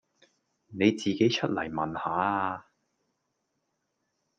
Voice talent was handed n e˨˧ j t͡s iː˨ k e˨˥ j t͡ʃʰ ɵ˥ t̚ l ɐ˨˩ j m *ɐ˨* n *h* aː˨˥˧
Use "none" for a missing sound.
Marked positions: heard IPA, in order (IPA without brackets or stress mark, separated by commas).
ɐ˨, h